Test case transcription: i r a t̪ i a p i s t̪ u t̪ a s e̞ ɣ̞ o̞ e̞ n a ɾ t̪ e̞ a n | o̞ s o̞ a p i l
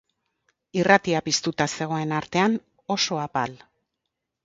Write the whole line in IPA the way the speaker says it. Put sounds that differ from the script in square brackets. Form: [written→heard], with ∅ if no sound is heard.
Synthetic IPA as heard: i r a t̪ i a p i s t̪ u t̪ a s e̞ ɣ̞ o̞ e̞ n a ɾ t̪ e̞ a n | o̞ s o̞ a p [i→a] l